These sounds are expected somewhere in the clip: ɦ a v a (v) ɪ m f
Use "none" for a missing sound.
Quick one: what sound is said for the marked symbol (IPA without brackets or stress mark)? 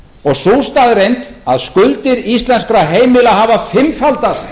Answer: f